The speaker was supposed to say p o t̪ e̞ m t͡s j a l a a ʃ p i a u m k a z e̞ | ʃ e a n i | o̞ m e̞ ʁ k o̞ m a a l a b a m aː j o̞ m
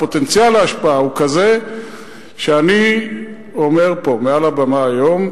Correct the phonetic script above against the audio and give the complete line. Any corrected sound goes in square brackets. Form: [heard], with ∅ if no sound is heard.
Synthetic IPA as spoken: p o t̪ e̞ [n] t͡s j a l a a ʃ p [a] a u [∅] k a z e̞ | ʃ e a n i | o̞ m e̞ ʁ [p] o̞ m [e] a l a b a m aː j o̞ m